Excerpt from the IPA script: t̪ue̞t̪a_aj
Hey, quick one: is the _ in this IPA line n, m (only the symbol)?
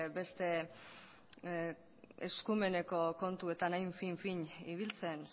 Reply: n